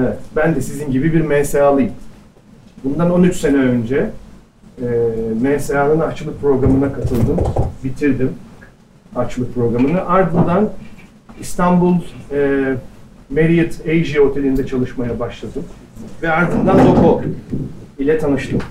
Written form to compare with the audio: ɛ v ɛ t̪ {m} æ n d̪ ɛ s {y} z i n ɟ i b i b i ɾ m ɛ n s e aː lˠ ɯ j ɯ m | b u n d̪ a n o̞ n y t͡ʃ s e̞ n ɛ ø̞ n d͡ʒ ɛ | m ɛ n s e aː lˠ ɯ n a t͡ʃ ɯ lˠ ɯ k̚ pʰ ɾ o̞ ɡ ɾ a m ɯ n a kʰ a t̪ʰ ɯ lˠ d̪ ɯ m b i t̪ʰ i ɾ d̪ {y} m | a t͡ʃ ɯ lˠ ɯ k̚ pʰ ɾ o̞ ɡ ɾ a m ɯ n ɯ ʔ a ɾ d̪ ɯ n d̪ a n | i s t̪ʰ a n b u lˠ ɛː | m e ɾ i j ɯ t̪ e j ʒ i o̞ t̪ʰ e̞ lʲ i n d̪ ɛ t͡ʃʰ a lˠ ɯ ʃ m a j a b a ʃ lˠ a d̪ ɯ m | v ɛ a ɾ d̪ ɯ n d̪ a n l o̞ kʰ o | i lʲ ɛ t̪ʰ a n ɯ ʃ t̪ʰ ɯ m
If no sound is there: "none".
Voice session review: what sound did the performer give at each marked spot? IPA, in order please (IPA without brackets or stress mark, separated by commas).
b, i, i